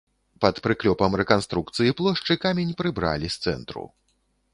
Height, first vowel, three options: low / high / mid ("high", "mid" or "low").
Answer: low